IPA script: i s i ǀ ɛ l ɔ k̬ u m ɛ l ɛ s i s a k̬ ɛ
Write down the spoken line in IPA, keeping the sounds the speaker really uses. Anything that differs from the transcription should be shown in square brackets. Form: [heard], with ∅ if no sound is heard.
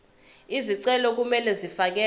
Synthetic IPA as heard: i [z] i ǀ ɛ l ɔ k̬ u m ɛ l ɛ [z] i [f] a k̬ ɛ